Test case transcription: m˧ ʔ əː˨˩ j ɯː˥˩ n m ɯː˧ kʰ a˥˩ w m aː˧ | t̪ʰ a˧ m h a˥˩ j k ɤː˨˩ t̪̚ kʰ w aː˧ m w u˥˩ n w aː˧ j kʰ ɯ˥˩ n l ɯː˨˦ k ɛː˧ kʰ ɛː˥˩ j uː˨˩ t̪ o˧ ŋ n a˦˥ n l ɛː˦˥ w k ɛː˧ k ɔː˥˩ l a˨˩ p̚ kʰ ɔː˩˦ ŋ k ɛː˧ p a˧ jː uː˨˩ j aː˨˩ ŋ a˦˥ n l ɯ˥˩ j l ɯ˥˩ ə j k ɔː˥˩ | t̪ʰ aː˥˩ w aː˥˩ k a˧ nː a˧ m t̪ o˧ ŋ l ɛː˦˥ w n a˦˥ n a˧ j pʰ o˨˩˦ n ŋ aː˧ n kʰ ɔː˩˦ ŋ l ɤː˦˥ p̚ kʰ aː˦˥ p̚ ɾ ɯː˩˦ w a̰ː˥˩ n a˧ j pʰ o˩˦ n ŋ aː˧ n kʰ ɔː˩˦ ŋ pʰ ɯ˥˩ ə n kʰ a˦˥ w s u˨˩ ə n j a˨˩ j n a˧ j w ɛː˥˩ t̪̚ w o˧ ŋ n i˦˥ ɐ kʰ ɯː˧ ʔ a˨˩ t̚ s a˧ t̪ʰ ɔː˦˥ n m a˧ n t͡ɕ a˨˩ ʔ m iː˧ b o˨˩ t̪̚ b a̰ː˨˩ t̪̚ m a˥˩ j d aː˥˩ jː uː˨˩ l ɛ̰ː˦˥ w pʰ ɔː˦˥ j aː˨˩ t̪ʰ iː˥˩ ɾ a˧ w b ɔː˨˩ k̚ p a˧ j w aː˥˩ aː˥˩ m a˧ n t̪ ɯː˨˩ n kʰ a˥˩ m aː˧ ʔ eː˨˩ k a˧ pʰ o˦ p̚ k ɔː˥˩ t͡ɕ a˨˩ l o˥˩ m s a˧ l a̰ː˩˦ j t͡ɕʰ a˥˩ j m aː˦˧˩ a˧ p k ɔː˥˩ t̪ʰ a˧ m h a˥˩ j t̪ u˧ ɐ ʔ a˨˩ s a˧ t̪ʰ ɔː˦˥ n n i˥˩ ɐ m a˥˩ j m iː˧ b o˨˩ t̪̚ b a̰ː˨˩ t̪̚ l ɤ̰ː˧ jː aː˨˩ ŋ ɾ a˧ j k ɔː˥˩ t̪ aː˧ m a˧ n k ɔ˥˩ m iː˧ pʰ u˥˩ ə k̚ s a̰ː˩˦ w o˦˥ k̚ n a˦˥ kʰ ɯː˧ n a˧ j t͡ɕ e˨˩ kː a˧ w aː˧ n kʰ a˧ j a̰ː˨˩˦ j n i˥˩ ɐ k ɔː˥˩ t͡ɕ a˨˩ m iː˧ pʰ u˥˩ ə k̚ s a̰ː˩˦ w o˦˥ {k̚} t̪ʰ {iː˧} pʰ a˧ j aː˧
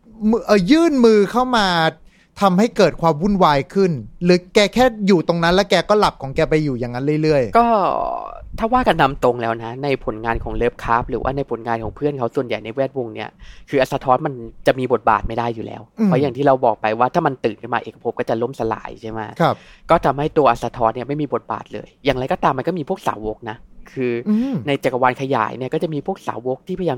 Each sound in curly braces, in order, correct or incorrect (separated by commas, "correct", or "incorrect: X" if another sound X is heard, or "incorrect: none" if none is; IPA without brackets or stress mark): correct, incorrect: iː˥˩